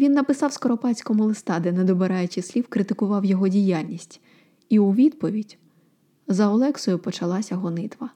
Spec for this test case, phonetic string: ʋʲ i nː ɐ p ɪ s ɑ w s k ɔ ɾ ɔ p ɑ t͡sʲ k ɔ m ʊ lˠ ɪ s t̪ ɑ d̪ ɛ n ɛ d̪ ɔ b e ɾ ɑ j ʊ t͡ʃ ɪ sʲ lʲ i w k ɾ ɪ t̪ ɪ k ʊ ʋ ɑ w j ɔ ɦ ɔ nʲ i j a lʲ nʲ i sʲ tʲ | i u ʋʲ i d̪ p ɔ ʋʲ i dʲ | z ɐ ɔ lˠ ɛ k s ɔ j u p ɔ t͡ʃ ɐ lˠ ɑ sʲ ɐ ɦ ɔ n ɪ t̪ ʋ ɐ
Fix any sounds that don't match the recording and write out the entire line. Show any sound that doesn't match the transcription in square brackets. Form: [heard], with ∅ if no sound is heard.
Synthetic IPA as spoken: ʋʲ i nː ɐ p ɪ s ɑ w s k ɔ ɾ ɔ p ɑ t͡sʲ k ɔ m ʊ lˠ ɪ s t̪ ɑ d̪ ɛ n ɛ d̪ ɔ b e ɾ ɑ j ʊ t͡ʃ ɪ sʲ lʲ i w k ɾ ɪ t̪ ɪ k ʊ ʋ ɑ w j ɔ ɦ ɔ [dʲ] i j a lʲ nʲ i sʲ tʲ | i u ʋʲ i d̪ p ɔ ʋʲ i dʲ | z ɐ ɔ lˠ ɛ k s ɔ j [ʊ] p ɔ t͡ʃ ɐ lˠ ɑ sʲ ɐ ɦ ɔ n ɪ t̪ ʋ ɐ